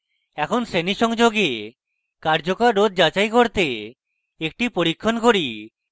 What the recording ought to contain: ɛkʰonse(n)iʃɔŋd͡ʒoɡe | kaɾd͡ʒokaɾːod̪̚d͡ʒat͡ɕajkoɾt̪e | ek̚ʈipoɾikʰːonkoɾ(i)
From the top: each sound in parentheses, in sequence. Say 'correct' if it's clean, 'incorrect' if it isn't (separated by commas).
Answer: correct, correct